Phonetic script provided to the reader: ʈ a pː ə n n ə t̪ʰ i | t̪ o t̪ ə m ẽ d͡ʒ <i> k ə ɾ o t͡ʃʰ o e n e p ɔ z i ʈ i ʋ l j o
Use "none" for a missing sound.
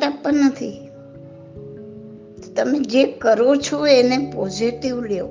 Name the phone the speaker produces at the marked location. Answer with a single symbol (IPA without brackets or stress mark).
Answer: e